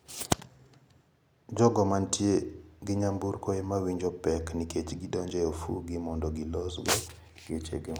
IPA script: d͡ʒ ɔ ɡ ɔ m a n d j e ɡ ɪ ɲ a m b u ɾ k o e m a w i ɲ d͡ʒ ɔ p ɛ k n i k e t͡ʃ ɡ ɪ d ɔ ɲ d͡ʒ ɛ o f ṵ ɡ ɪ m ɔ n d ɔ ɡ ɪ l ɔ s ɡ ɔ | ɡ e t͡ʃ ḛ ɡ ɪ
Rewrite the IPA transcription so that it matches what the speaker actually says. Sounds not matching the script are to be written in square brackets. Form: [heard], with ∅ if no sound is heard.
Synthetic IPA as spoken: d͡ʒ ɔ ɡ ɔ m a n [t] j e ɡ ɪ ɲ a m b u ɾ k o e m a w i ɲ d͡ʒ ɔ p ɛ k n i k e t͡ʃ ɡ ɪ d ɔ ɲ d͡ʒ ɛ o f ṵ ɡ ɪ m ɔ n d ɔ ɡ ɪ l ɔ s ɡ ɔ | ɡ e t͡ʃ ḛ ɡ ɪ

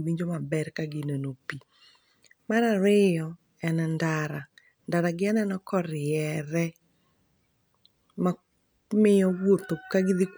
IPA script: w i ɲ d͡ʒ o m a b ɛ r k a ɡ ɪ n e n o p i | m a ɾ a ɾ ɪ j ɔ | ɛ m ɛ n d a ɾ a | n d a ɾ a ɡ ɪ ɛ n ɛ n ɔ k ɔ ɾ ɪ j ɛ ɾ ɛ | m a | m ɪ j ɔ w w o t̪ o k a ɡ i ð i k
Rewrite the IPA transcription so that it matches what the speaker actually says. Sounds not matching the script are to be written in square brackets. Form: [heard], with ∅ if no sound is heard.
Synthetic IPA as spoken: w i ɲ d͡ʒ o m a b ɛ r k a ɡ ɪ n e n o p i | m a ɾ a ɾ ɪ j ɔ | ɛ [n] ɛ n d a ɾ a | n d a ɾ a ɡ ɪ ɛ n ɛ n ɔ k ɔ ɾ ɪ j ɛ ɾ ɛ | m a | m ɪ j ɔ w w o t̪ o k a ɡ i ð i k

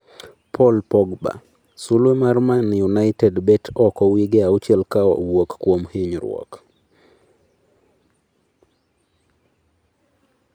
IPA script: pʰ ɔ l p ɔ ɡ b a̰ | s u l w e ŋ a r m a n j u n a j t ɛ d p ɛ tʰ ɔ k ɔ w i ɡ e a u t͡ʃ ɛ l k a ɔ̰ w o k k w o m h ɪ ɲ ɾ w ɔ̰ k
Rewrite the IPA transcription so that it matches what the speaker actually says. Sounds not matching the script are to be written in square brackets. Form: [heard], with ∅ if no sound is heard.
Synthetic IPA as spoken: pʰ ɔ l p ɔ ɡ b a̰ | s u l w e [m] a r m a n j u n a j t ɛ d [b] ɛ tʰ ɔ k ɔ w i ɡ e a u t͡ʃ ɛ l k a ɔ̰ w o k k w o m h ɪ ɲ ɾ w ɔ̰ k

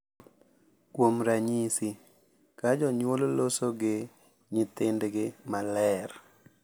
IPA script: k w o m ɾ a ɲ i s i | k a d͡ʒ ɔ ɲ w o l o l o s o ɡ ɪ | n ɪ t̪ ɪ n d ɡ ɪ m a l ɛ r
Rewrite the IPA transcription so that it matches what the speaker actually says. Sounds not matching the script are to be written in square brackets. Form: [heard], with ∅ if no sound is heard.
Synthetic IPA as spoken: k w o m ɾ a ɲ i s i | k a d͡ʒ ɔ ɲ w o l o l o s o ɡ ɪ | [ɲ] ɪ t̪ ɪ n d ɡ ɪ m a l ɛ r

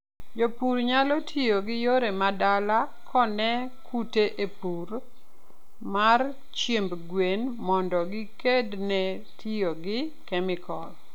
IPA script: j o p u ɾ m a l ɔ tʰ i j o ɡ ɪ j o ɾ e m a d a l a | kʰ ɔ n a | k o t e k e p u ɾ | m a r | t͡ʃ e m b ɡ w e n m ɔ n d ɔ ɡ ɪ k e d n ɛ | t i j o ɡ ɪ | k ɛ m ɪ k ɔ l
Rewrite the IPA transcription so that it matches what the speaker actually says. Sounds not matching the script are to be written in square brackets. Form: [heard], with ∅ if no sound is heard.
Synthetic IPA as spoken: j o p u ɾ [ɲ] a l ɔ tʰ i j o ɡ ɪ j o ɾ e m a d a l a | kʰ ɔ n [ɛ] | k [u] t e [ʔ] e p u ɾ | m a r | t͡ʃ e m b ɡ w e n m ɔ n d ɔ ɡ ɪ k e d n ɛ | t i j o ɡ ɪ | k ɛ m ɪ k ɔ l

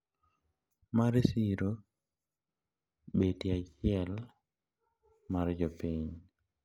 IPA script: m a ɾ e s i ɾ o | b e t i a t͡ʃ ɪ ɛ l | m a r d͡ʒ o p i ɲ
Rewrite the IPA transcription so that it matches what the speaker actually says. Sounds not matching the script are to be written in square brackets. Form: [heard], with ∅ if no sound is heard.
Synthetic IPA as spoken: m a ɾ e s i ɾ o | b e t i a t͡ʃ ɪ ɛ l | m a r d͡ʒ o p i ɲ

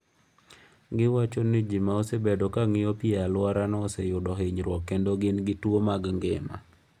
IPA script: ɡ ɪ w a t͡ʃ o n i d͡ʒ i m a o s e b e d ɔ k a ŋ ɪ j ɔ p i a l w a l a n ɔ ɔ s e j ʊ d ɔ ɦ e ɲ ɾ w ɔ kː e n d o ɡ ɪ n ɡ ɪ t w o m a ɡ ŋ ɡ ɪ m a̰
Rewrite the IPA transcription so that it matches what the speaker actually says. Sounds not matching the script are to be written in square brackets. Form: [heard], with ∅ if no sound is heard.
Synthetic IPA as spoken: ɡ ɪ w a t͡ʃ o n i d͡ʒ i m a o s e b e d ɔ k a ŋ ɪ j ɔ p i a l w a [ɾ] a n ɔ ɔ s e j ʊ d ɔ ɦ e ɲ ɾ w ɔ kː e n d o ɡ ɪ n ɡ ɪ t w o m a ɡ ŋ ɡ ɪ m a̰

